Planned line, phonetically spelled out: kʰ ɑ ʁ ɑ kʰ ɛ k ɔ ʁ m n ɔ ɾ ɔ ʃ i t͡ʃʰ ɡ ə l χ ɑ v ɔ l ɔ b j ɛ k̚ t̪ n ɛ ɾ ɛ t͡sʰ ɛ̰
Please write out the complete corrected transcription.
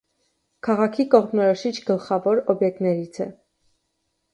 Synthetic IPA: kʰ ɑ ʁ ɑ kʰ i k ɔ ʁ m n ɔ ɾ ɔ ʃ i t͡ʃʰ ɡ ə l χ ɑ v ɔ ɾ ɔ b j ɛ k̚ t̪ n ɛ ɾ i t͡sʰ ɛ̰